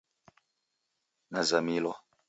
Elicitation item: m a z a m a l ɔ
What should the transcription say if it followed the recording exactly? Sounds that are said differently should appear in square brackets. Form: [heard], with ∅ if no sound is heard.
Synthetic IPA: [n] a z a m [i] l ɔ